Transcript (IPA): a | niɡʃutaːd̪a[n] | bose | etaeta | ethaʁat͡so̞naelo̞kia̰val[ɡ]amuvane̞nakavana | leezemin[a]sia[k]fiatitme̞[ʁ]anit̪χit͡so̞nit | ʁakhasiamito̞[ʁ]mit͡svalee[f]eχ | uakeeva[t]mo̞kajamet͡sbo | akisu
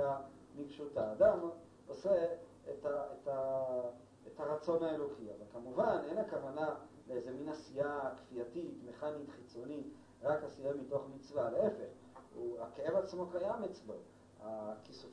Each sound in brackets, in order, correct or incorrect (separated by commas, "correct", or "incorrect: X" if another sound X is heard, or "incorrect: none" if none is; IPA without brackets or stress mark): incorrect: m, incorrect: k, correct, correct, incorrect: χ, incorrect: χ, correct, incorrect: t͡s